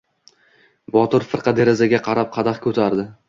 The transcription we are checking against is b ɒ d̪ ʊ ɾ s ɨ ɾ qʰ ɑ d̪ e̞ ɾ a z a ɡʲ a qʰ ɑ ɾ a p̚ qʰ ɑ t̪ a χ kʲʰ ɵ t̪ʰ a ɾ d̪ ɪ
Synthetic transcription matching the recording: b ɒ t̪ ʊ ɾ f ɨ ɾ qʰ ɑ d̪ e̞ ɾ a z a ɡʲ a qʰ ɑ ɾ a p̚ qʰ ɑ d̪ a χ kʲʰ ɵ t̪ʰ a ɾ d̪ ɪ